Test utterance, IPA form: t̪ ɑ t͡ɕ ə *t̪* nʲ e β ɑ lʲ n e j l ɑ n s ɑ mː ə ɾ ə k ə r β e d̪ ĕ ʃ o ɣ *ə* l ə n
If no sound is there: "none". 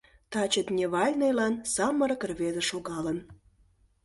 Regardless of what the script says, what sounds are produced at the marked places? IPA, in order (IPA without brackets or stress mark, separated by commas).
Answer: t̪, ɑ